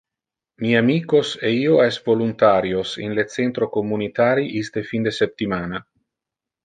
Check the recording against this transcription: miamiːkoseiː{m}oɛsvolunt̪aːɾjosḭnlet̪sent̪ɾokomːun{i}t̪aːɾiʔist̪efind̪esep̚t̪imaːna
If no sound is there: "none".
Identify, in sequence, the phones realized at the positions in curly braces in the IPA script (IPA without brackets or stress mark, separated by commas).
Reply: none, i